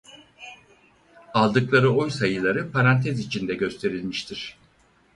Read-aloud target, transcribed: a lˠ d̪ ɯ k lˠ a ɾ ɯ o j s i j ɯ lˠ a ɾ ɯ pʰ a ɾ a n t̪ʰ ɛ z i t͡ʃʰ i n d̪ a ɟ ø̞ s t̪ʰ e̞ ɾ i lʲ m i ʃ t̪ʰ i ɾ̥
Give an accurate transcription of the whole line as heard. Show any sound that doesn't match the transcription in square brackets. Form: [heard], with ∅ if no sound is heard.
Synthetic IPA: a lˠ d̪ ɯ k lˠ a ɾ ɯ o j s [a] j ɯ lˠ a ɾ ɯ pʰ a ɾ a n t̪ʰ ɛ z i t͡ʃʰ i n d̪ [ɛ] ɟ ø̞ s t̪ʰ e̞ ɾ i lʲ m i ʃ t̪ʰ i ɾ̥